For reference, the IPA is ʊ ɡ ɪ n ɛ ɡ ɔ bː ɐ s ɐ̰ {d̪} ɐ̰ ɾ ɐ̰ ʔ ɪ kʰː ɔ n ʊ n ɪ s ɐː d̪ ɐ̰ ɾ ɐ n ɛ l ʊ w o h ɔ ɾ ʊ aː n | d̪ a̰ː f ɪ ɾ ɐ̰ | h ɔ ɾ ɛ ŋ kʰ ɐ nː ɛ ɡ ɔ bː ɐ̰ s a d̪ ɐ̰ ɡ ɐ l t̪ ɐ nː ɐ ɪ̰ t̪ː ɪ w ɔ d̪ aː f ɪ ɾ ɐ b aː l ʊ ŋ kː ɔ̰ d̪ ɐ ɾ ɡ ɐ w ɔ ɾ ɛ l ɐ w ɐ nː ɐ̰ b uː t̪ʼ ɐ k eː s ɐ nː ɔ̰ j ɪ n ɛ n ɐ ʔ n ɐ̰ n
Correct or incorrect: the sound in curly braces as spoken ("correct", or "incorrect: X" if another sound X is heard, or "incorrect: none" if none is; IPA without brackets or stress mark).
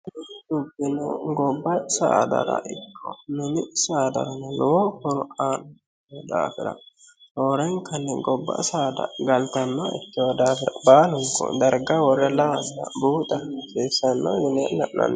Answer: correct